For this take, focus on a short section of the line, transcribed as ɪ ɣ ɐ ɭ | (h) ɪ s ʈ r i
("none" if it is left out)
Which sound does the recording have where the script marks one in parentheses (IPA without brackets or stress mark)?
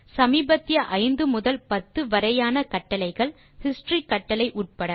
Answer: h